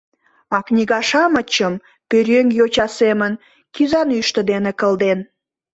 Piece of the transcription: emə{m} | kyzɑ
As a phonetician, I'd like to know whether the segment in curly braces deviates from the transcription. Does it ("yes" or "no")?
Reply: yes